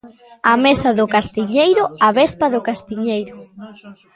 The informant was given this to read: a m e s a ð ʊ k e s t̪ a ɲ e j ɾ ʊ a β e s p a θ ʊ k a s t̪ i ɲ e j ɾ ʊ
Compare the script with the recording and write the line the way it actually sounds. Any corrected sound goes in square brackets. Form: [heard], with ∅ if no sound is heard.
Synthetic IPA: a m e s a ð ʊ k [a] s t̪ [i] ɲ e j ɾ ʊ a β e s p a [ð] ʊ k a s t̪ i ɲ e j ɾ ʊ

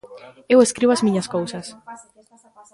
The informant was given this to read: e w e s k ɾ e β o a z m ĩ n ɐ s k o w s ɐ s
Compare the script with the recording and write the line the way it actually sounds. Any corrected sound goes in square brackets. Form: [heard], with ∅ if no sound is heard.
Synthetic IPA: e w e s k ɾ [i] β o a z m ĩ [ɲ] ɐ s k o w s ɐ s

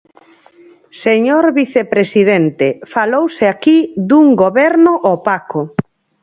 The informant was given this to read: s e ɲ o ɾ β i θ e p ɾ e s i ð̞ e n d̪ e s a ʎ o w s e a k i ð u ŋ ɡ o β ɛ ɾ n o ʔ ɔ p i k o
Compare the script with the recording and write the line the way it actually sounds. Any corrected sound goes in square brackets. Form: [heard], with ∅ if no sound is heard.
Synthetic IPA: s e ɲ o ɾ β i θ e p ɾ e s i ð̞ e n [t̪] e [f] a [l] o w s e a k i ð u ŋ ɡ o β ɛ ɾ n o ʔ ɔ p [a] k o

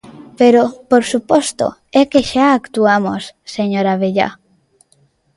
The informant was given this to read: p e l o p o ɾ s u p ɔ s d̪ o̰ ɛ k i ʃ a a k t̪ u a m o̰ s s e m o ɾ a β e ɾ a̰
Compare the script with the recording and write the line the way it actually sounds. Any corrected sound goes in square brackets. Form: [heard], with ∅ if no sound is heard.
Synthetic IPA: p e [ɾ] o p o ɾ s u p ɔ s [t̪] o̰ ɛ k [e] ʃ a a k t̪ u a m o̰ s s e [ɲ] o ɾ a β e [ʎ] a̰

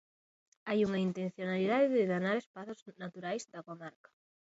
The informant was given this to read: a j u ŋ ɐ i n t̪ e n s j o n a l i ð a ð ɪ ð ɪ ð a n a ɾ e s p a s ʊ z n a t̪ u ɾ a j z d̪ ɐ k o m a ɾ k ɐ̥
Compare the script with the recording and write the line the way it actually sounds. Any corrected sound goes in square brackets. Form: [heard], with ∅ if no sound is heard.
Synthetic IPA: a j u ŋ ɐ i n t̪ e n [θ] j o n a l i ð a ð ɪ ð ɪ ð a n a ɾ e s p a [θ] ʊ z n a t̪ u ɾ a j z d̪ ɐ k o m a ɾ k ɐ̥

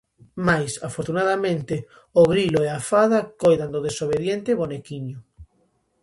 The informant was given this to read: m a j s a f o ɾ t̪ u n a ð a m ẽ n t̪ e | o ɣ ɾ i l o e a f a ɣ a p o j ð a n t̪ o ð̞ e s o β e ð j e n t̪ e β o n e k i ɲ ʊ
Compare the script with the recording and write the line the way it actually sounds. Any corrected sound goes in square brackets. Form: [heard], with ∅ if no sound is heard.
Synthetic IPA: m a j s a f o ɾ t̪ u n a ð a m ẽ n t̪ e | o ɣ ɾ i l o e a f a [ð] a [k] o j ð a n [d̪] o ð̞ e s o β e ð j e n t̪ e β o n e k i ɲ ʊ

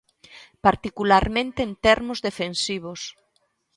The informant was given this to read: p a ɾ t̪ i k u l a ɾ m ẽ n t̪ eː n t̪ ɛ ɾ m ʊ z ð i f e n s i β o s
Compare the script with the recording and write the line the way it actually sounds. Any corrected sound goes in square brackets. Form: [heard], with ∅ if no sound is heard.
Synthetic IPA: p a ɾ t̪ i k u l a ɾ m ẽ n t̪ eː n t̪ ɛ ɾ m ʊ z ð [e] f e n s i β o s

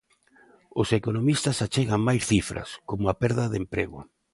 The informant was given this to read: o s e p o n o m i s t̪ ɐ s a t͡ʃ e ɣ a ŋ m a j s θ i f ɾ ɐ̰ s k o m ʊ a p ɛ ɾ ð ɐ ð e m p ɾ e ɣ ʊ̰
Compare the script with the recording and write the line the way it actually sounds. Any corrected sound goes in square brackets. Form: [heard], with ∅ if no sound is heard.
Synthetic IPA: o s e [k] o n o m i s t̪ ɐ s a t͡ʃ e ɣ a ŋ m a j s θ i f ɾ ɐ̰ s k o m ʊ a p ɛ ɾ ð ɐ ð e m p ɾ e ɣ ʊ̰

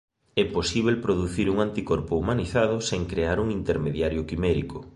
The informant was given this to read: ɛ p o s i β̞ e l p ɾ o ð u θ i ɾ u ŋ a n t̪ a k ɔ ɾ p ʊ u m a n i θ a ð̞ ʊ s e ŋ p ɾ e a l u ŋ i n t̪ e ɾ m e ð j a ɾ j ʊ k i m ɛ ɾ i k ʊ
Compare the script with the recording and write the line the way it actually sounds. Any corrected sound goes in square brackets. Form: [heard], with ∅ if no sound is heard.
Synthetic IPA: ɛ p o s i β̞ e l p ɾ o ð u θ i ɾ u ŋ a n t̪ [i] k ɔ ɾ p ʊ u m a n i θ a ð̞ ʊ s e ŋ [k] ɾ e a [ɾ] u ŋ i n t̪ e ɾ m e ð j a ɾ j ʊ k i m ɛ ɾ i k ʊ

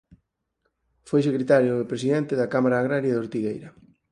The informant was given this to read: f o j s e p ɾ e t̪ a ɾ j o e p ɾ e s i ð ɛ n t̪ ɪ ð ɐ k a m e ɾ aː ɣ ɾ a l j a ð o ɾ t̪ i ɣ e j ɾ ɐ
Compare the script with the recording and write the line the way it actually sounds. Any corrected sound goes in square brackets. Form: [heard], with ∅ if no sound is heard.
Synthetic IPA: f o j s e [k] ɾ e t̪ a ɾ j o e p ɾ e s i ð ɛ n t̪ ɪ ð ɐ k a m [a] ɾ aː ɣ ɾ a [ɾ] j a ð o ɾ t̪ i ɣ e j ɾ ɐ

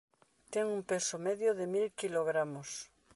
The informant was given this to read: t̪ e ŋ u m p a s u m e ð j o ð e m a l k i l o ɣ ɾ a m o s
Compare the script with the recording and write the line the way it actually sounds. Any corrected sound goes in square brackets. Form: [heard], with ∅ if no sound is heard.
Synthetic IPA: t̪ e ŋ u m p [e] s [o] m e ð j o ð e m [i] l k i l o ɣ ɾ a m o s

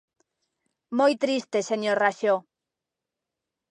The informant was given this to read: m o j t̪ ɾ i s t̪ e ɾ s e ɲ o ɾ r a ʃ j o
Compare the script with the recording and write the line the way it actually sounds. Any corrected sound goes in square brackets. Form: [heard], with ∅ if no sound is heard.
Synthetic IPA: m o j t̪ ɾ i s t̪ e [∅] s e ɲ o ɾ r a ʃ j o

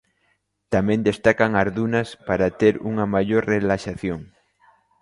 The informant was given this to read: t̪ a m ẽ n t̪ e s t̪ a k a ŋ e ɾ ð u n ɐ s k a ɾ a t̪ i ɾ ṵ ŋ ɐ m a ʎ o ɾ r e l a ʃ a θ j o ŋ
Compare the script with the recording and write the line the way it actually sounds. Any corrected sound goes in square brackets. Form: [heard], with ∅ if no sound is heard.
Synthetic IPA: t̪ a m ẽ n [d̪] e s t̪ a k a ŋ [a] ɾ ð u n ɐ s [p] a ɾ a t̪ [e] ɾ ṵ ŋ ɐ m a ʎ o ɾ r e l a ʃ a θ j o ŋ

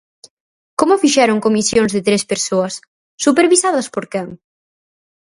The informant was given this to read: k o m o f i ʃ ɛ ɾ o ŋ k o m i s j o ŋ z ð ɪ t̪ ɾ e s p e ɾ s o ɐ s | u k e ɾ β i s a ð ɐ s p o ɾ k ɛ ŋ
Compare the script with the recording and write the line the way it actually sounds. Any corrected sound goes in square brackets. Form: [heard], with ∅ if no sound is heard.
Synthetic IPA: k o m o f i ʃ ɛ ɾ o ŋ k o m i s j o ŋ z ð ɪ t̪ ɾ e s p e ɾ s o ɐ [sː] | u [p] e ɾ β i s a ð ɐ s p o ɾ k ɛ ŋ

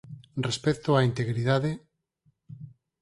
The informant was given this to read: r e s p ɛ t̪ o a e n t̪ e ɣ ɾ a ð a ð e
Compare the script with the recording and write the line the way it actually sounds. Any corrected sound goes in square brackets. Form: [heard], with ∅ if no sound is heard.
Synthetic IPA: r e s p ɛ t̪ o a [i] n t̪ e ɣ ɾ [i] ð a ð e

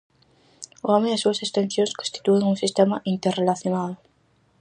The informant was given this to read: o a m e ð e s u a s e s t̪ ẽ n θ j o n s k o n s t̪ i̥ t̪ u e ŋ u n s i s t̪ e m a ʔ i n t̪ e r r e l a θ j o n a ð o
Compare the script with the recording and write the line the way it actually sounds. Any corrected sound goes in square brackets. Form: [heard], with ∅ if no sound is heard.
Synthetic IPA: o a m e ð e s u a s e s t̪ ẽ n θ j o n s k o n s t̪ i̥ t̪ u e ŋ u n s i s t̪ e m a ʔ i n t̪ e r r e l a θ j o n a ð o

